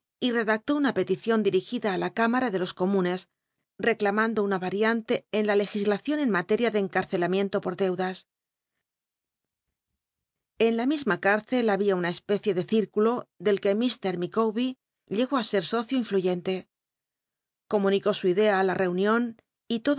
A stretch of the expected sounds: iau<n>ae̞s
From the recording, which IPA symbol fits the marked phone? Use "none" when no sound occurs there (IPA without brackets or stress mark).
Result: n